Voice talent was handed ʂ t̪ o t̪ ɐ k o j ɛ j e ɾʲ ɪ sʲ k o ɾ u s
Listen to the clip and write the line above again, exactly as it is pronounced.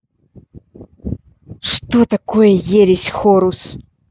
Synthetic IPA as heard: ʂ t̪ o t̪ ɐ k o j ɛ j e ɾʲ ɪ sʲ x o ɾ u s